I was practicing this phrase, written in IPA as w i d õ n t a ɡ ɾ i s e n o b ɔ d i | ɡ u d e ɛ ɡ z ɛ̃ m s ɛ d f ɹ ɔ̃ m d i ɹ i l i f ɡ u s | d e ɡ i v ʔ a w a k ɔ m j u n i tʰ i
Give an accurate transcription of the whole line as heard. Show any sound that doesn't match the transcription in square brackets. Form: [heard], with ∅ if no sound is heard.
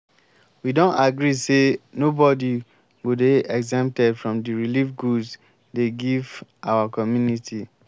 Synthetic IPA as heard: w i d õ n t a ɡ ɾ i s e n o b ɔ d i | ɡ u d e ɛ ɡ z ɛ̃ m [t] ɛ d f ɹ ɔ̃ m d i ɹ i l i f ɡ u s | d e ɡ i v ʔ a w a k ɔ m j u n i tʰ i